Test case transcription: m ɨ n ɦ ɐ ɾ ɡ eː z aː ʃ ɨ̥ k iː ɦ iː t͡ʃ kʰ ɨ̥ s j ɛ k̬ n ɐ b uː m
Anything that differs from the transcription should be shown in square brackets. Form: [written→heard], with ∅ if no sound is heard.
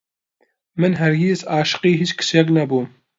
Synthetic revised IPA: m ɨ n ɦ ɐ ɾ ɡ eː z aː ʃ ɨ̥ [k→q] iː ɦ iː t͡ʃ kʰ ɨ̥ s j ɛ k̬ n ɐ b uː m